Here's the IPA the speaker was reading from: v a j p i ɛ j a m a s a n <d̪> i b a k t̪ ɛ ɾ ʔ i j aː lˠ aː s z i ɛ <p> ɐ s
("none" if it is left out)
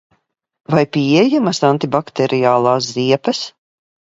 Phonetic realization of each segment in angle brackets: t̪, p

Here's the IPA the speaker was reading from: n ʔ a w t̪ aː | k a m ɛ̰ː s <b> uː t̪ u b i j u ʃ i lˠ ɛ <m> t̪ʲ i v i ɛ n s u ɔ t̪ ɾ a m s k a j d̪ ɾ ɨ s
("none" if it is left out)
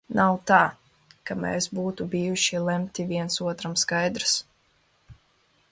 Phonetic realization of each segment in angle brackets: b, m

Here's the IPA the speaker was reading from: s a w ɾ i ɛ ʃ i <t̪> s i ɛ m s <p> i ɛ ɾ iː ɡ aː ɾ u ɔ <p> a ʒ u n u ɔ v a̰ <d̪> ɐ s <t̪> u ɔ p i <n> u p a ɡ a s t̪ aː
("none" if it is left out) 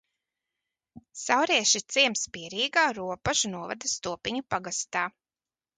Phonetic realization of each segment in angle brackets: t̪, p, p, d̪, t̪, ɲ

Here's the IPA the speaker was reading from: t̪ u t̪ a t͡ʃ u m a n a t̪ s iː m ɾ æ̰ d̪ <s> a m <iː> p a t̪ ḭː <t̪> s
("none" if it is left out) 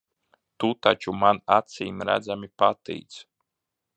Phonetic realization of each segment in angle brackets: z, i, t̪

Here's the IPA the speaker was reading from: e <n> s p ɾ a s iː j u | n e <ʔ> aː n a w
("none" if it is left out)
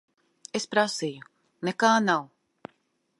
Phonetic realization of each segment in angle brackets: none, k

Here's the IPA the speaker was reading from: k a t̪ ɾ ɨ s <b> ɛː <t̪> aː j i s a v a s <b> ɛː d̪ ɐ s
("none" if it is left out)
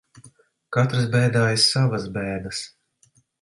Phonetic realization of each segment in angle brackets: b, d̪, b

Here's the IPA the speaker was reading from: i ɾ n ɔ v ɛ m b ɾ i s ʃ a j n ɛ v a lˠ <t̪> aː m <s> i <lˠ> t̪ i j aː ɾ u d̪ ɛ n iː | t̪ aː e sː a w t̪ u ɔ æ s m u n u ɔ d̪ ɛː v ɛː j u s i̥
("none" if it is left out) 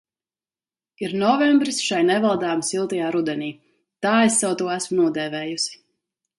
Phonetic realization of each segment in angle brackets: d̪, s, lˠ

